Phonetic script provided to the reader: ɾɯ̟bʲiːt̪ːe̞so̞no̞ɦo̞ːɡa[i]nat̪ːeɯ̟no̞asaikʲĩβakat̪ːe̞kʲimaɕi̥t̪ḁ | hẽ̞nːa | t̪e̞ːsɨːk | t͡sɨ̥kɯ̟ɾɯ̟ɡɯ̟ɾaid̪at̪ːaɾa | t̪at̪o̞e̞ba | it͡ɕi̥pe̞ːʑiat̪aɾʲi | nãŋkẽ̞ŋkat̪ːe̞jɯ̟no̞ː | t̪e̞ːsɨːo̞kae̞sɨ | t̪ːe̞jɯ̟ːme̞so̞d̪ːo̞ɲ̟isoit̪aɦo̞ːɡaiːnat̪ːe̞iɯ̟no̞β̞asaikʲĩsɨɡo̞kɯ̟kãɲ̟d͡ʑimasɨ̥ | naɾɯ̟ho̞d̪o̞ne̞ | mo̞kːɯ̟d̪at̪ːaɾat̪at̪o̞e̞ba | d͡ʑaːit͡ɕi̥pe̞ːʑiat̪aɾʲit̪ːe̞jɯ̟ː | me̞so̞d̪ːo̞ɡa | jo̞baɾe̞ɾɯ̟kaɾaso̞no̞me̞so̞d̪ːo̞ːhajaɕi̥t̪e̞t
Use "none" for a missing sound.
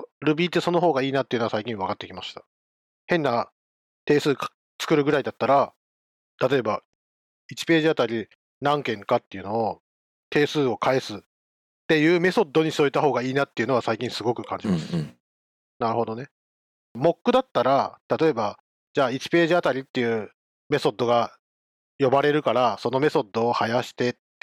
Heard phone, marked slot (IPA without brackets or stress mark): iː